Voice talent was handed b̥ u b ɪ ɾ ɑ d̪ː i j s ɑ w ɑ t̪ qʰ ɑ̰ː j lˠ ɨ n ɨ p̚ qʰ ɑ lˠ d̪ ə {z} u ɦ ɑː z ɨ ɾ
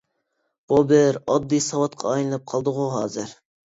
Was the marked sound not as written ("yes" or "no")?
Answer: yes